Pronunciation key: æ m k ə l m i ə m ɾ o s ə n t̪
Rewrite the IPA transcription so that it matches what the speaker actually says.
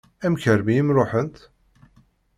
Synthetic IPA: æ m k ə ɾ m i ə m ɾ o ħ ə n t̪